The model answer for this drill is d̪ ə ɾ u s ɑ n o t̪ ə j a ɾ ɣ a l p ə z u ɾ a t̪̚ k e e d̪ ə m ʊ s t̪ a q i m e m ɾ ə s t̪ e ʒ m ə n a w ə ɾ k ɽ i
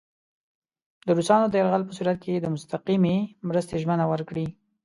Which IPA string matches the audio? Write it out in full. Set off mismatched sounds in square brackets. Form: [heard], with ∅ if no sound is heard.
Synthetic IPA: d̪ ə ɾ u s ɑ n o [d̪] ə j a ɾ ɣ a l p ə [s] u ɾ a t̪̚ k e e d̪ ə m ʊ s t̪ a q i m e m ɾ ə s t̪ e ʒ m ə n a w ə ɾ k ɽ i